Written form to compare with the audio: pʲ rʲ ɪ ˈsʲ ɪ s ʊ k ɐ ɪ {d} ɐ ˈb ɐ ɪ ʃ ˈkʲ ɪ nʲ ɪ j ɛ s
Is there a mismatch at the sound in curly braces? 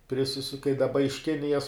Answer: no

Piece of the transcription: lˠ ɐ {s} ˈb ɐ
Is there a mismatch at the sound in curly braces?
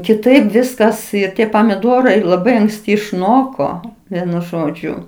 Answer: yes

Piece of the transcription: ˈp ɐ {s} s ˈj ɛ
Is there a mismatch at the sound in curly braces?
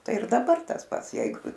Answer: yes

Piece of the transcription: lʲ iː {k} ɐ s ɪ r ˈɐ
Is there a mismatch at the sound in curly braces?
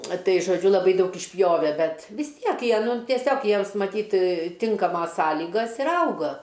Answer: yes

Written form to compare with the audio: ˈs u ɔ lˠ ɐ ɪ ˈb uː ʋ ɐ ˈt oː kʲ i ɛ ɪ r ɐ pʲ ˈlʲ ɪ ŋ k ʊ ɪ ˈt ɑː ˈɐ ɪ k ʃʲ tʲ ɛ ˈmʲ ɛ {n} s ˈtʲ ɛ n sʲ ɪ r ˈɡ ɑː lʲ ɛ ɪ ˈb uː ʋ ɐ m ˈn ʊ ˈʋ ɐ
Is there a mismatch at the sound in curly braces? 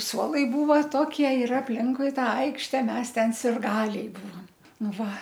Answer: yes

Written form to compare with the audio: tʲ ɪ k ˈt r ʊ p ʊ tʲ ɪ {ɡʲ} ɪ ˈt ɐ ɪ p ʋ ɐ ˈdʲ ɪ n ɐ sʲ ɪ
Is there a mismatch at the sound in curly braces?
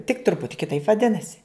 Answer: yes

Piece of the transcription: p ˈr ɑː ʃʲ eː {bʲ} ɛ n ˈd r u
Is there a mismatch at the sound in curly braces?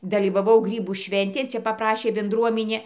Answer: no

